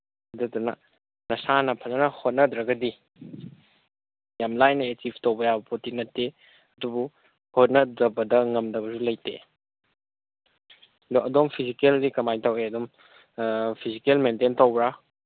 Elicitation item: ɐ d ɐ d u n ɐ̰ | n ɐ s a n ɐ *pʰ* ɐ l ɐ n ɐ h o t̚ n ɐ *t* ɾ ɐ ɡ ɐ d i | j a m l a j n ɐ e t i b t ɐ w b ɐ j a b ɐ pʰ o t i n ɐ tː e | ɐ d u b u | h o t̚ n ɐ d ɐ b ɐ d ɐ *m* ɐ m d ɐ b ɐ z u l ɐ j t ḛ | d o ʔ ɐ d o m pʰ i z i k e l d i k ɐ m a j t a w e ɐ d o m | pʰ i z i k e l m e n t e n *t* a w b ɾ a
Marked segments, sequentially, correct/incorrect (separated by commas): correct, incorrect, incorrect, correct